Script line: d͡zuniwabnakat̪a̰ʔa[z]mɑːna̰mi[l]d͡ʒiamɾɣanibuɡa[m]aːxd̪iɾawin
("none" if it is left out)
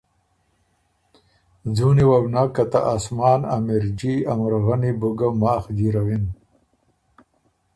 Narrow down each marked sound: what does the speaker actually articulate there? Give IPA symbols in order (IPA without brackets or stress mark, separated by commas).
s, ɾ, m